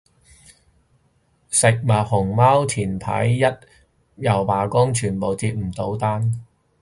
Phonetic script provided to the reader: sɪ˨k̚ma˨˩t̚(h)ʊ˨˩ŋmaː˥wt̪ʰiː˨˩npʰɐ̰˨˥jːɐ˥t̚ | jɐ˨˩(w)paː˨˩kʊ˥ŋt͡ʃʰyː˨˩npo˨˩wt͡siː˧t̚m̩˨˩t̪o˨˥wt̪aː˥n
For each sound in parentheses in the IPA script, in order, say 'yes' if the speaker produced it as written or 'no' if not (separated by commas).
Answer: yes, yes